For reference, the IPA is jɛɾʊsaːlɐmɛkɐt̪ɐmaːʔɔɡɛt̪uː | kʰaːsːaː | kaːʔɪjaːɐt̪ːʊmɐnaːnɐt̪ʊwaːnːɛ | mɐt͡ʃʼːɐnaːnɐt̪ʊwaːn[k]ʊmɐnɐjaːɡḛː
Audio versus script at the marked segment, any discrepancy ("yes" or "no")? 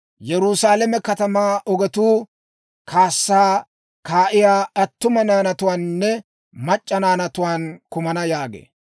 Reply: no